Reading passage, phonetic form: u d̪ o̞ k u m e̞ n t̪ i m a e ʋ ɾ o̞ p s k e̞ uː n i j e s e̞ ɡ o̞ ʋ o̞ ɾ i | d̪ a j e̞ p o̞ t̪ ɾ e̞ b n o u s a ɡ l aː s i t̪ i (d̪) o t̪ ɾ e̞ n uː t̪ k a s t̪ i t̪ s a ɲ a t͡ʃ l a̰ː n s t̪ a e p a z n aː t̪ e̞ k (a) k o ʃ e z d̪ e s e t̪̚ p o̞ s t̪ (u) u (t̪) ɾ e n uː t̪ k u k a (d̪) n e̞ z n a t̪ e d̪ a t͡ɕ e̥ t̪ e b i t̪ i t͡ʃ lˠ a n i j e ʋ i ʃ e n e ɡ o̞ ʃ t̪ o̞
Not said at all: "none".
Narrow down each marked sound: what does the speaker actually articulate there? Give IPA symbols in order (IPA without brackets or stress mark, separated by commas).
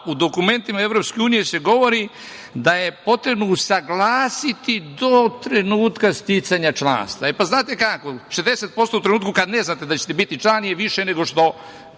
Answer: d̪, a, o, t̪, d̪